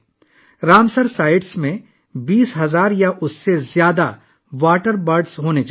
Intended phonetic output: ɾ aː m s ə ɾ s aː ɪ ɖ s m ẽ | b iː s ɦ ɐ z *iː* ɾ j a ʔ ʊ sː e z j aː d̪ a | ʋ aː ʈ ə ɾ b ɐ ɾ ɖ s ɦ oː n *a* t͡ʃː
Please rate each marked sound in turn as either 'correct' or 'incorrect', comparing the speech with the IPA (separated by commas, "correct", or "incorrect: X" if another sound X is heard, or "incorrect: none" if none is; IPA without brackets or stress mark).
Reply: incorrect: aː, incorrect: e